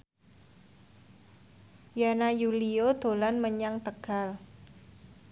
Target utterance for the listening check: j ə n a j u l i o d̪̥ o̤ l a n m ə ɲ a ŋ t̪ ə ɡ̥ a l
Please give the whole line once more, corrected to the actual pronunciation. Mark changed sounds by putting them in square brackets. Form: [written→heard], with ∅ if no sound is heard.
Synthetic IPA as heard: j [ə→a] n a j u l i o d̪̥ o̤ l a n m ə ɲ a ŋ t̪ ə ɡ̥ a l

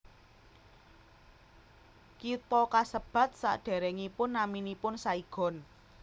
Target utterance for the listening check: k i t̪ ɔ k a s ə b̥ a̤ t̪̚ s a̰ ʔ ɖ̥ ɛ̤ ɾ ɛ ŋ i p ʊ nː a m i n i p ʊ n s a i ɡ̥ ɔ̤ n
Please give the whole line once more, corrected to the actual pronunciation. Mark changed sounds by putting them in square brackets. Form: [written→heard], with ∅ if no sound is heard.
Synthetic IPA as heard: k i t̪ ɔ k a s ə b̥ a̤ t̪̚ s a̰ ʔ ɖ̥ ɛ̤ ɾ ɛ ŋ i p ʊ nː a m i n i p ʊ n s a i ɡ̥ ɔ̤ n

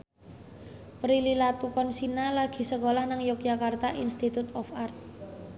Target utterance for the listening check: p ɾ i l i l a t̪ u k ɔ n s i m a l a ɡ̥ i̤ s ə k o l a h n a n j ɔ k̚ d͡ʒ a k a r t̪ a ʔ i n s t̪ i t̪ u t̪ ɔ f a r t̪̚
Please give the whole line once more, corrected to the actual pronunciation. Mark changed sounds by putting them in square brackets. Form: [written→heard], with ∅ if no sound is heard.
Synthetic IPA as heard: p ɾ i l i l a t̪ u k ɔ n s i [m→n] a l a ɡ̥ i̤ s ə k o l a h n a [n→ŋ] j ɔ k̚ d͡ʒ a k a r t̪ a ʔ i n s t̪ i t̪ u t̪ ɔ f a r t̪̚

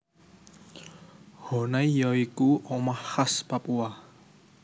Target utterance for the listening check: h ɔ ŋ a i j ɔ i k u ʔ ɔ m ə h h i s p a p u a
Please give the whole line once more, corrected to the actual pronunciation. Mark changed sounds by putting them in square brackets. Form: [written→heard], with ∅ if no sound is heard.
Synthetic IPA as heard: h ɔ [ŋ→n] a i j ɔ i k u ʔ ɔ m [ə→a] h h [i→a] s p a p u a

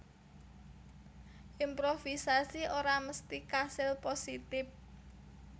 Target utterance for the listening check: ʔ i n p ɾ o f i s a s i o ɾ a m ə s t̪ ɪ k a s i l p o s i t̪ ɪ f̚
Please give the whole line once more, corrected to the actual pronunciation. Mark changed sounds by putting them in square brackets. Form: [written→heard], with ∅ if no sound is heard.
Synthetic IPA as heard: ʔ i [n→m] p ɾ o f i s a s i o ɾ a m ə s t̪ [ɪ→i] k a s [i→ɪ] l p o s i t̪ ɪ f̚

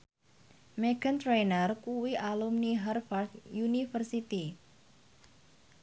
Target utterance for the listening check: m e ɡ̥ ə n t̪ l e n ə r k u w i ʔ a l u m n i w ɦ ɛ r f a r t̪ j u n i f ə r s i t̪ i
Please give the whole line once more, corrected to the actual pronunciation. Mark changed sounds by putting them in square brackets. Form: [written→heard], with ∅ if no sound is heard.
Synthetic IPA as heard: m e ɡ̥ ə n t̪ [l→ɾ] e n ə r k u w i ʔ a l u m n i [w→∅] ɦ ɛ r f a r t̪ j u n i f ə r s i t̪ i

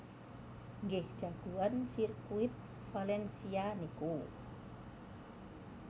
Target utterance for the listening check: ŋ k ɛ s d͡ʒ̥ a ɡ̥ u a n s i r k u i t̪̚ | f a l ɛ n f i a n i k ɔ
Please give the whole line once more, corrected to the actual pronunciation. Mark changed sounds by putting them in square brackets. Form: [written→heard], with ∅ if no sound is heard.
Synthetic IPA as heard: ŋ [k→ɡ] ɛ [s→h] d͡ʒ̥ a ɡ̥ u a n s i r k u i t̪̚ | f a l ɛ n [f→s] i a n i k [ɔ→u]

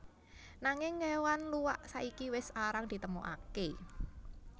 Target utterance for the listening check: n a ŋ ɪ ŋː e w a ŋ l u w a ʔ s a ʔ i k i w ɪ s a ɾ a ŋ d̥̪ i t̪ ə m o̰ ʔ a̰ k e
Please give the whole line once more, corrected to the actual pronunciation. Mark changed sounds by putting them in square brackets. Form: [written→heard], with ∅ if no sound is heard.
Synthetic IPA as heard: n a ŋ ɪ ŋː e w a [ŋ→n] l u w a ʔ s a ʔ i k i w ɪ s a ɾ a ŋ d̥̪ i t̪ ə m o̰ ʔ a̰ k e

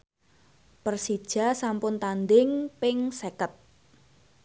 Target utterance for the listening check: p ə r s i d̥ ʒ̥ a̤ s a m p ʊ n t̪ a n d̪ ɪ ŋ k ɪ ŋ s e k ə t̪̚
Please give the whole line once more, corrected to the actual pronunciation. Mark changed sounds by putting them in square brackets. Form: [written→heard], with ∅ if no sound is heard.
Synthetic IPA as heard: p ə r s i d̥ ʒ̥ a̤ s a m p ʊ n t̪ a n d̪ ɪ ŋ [k→p] ɪ ŋ s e k ə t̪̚

